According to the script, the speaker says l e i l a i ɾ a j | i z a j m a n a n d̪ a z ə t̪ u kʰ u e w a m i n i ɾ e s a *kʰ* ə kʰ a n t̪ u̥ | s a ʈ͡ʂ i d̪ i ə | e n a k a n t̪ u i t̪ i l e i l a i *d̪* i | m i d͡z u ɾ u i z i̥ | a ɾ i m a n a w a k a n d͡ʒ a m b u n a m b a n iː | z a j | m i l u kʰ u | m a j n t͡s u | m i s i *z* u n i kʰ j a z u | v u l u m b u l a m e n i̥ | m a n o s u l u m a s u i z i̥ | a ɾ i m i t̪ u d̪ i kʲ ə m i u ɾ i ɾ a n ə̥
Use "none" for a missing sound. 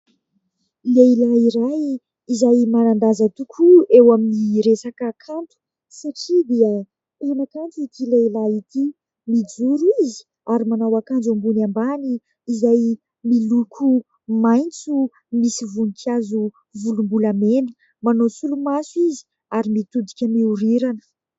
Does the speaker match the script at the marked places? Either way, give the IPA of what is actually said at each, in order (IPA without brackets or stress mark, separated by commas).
k, t̪, v